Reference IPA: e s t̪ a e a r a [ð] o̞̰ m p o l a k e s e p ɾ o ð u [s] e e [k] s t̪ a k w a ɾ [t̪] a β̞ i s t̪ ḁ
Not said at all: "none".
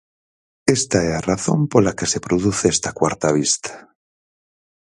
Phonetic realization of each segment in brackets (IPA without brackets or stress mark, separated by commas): θ, θ, none, t̪